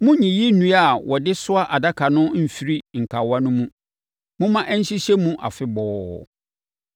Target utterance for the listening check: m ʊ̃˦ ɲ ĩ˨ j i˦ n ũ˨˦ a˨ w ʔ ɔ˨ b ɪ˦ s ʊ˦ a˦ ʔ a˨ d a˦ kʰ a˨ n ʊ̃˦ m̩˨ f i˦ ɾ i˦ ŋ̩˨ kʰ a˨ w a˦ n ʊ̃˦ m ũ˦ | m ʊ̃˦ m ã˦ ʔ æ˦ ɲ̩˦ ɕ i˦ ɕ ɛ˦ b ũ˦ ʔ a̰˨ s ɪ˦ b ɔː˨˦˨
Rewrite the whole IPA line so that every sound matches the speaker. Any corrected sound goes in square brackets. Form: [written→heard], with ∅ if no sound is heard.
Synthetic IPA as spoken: m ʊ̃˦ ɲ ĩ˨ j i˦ n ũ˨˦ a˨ w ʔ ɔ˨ [b→d] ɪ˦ s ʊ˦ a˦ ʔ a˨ d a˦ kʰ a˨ n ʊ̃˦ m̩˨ f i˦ ɾ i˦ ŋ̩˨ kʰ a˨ w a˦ n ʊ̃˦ m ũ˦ | m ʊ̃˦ m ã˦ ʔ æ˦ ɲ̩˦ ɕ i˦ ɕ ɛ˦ [b→m] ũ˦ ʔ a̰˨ [s→f] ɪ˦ b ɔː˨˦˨